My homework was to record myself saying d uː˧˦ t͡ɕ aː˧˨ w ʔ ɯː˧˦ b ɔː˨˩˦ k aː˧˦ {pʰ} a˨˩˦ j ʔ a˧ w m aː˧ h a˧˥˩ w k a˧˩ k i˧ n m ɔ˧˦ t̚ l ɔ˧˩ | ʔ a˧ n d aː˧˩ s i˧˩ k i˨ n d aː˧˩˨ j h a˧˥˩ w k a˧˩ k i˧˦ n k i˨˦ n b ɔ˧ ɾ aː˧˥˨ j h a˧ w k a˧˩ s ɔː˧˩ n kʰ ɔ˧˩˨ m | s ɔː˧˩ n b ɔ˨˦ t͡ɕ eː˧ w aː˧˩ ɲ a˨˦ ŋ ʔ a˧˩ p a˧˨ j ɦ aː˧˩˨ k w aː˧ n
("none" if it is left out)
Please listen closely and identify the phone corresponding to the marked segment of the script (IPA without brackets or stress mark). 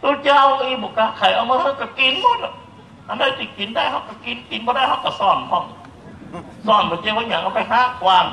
kʰ